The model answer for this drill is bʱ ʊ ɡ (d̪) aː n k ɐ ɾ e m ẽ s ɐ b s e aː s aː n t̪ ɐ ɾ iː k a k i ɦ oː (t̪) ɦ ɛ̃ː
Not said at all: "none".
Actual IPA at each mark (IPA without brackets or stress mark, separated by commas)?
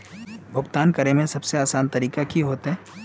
t̪, t̪